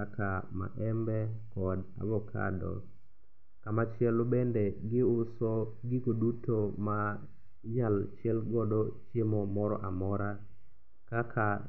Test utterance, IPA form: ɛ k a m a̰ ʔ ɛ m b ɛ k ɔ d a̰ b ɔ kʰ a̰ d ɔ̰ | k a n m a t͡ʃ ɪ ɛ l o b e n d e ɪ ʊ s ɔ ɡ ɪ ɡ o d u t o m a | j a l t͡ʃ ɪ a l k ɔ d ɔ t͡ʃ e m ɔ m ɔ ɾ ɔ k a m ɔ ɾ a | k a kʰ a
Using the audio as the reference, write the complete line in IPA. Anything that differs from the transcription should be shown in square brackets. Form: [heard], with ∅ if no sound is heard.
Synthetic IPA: [a] k a m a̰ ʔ ɛ m b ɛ k ɔ d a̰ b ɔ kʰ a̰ d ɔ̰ | k a [∅] m a t͡ʃ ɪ ɛ l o b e n d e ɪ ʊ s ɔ ɡ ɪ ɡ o d u t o m a | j a l t͡ʃ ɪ [ɛ] l [ɡ] ɔ d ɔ t͡ʃ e m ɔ m ɔ ɾ ɔ [ʔ] a m ɔ ɾ a | k a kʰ a